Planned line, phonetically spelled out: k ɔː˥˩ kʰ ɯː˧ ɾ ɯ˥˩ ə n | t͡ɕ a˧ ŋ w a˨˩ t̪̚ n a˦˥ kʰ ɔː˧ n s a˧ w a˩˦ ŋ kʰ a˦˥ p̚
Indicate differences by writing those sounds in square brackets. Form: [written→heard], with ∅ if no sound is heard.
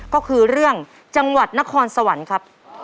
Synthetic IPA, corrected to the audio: k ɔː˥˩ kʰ ɯː˧ ɾ ɯ˥˩ ə [n→ŋ] | t͡ɕ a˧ ŋ w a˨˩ t̪̚ n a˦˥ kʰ ɔː˧ n s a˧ w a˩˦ [ŋ→n] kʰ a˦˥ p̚